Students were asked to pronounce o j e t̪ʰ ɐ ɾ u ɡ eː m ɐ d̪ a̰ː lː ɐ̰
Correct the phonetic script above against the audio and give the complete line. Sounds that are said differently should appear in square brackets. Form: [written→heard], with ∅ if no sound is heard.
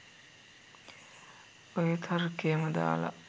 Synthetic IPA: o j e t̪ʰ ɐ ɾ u [ɡ→k] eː m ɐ d̪ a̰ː [lː→l] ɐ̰